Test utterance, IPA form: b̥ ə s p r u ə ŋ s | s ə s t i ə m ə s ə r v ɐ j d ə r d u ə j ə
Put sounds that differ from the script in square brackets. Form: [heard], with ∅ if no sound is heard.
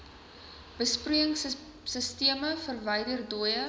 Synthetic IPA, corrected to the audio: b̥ ə s p r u ə ŋ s | s ə s t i ə m ə [f] ə r v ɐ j d ə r d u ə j ə